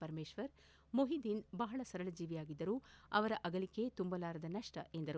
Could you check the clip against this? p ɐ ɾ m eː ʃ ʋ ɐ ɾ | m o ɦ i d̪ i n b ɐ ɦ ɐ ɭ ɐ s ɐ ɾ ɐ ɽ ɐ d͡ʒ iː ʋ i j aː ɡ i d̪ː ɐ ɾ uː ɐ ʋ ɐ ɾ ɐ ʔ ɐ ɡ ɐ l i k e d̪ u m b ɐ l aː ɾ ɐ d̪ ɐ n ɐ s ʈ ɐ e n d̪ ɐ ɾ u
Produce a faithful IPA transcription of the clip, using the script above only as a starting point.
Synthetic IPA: p ɐ ɾ m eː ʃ ʋ ɐ ɾ | m o ɦ i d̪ i n b ɐ ɦ ɐ ɭ ɐ s ɐ ɾ ɐ ɭ ɐ d͡ʒ iː ʋ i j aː ɡ i d̪ː ɐ ɾ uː ɐ ʋ ɐ ɾ ɐ ʔ ɐ ɡ ɐ l i k e t̪ u m b ɐ l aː ɾ ɐ d̪ ɐ n ɐ ʂ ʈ ɐ e n d̪ ɐ ɾ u